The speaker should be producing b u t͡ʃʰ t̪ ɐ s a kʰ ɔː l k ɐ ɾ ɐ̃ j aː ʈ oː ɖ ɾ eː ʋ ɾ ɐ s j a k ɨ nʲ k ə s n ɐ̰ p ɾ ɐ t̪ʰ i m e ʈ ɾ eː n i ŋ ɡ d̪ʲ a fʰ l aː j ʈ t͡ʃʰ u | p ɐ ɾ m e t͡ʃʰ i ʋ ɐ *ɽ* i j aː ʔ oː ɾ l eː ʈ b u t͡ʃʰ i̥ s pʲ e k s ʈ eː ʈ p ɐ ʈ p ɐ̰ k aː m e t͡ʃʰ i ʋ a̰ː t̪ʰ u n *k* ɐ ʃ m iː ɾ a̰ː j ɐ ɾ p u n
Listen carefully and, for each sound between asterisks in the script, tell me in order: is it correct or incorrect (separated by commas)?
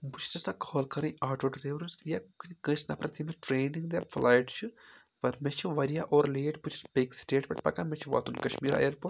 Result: incorrect, correct